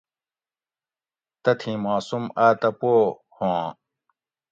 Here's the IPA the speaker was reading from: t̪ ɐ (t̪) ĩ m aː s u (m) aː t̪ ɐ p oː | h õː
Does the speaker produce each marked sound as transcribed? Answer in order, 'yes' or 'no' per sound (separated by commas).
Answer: no, yes